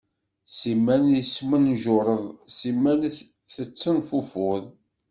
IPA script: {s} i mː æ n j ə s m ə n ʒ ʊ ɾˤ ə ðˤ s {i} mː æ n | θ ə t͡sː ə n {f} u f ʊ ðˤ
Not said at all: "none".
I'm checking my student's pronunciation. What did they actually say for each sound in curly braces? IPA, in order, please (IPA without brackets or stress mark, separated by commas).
s, i, f